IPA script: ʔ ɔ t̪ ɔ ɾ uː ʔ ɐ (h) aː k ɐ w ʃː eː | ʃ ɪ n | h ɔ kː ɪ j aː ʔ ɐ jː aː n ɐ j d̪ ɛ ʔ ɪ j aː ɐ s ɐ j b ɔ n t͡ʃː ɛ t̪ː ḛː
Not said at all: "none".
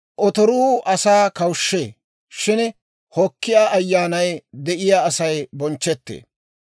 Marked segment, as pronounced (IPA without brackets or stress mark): s